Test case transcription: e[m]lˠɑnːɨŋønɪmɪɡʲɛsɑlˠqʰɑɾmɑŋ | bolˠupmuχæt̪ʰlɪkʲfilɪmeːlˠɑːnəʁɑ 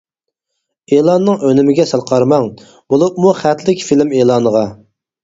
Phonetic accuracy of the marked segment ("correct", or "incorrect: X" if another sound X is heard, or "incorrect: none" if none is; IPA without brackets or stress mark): incorrect: none